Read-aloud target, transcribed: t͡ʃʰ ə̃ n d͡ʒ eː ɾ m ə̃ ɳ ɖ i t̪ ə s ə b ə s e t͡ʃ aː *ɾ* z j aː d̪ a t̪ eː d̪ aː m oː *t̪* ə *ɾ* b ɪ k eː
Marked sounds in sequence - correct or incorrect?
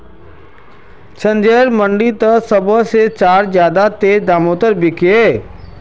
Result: correct, correct, correct

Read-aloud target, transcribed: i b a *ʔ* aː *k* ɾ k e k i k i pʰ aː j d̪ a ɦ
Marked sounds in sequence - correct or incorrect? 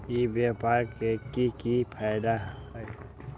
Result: incorrect: p, incorrect: none

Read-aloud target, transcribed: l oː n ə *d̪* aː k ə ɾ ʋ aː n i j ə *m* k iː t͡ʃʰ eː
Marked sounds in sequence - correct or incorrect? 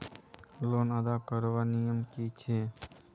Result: correct, correct

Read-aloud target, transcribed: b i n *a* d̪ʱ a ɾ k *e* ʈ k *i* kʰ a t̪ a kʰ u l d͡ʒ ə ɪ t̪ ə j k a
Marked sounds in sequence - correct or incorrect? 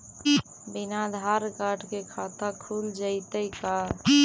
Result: correct, incorrect: a, incorrect: e

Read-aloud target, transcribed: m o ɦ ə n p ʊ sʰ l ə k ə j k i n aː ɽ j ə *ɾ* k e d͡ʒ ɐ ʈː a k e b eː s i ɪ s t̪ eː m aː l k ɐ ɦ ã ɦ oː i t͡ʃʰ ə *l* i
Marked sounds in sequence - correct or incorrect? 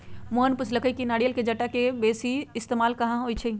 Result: incorrect: l, incorrect: none

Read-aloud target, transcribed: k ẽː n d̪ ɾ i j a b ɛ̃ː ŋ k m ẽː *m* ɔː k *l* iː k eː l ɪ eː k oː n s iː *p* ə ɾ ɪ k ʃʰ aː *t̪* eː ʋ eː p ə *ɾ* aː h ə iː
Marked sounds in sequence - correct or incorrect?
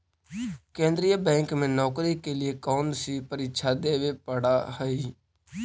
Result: incorrect: n, incorrect: ɾ, correct, incorrect: d̪, incorrect: ɽ

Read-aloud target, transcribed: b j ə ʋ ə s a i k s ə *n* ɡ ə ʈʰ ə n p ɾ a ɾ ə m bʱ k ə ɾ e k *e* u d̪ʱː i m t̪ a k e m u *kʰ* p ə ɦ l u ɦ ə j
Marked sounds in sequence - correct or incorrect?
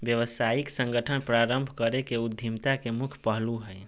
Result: incorrect: ŋ, correct, correct

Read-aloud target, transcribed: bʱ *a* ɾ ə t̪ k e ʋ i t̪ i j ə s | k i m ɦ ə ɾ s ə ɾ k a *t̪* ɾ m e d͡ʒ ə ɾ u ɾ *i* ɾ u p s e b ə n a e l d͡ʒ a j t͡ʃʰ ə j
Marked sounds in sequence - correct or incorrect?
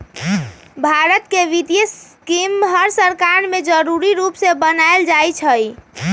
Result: correct, incorrect: none, correct

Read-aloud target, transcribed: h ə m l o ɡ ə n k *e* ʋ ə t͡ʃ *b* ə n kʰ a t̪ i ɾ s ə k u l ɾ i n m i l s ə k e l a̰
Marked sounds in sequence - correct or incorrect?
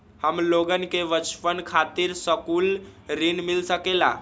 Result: correct, incorrect: p

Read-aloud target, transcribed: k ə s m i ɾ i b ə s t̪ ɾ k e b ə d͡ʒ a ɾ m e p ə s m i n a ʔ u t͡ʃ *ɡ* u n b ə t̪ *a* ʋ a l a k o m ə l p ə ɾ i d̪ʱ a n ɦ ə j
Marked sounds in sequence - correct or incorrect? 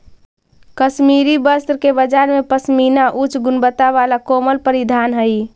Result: correct, correct

